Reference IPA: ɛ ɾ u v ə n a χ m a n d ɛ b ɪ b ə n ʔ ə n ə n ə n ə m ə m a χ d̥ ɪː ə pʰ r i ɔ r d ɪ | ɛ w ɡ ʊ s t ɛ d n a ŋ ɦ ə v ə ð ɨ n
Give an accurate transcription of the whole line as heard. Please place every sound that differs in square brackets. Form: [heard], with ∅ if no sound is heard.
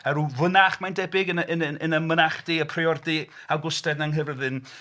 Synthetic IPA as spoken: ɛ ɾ u v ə n a χ m a n d ɛ b ɪ [ɡ] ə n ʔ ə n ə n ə n ə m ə [n] a χ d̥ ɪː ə pʰ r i ɔ r d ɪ | [a] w ɡ ʊ s t ɛ d n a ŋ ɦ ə v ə ð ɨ n